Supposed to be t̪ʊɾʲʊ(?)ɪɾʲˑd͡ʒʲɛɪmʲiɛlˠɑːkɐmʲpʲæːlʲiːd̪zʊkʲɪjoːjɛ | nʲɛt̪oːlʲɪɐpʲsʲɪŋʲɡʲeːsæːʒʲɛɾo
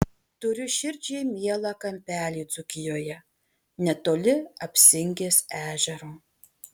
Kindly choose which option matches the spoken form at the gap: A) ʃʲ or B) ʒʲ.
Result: A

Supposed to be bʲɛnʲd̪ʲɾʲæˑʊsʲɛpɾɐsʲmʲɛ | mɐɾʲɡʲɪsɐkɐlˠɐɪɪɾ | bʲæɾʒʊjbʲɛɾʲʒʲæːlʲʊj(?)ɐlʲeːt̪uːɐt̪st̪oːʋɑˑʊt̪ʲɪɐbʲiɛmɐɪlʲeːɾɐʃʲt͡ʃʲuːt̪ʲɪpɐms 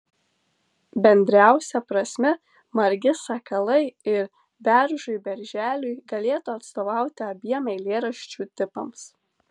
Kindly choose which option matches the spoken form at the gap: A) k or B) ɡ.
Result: B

